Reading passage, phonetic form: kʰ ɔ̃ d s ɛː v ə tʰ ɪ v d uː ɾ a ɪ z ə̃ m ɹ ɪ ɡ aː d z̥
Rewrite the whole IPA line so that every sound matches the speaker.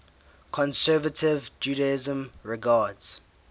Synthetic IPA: kʰ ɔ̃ n s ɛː v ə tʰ ɪ v d͡ʒ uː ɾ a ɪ z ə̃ m ɹ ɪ ɡ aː d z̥